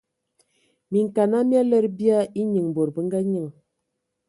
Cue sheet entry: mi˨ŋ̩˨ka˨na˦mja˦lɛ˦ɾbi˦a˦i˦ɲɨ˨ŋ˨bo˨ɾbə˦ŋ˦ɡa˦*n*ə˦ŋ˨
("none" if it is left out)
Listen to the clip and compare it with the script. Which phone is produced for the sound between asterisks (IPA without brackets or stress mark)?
ɲ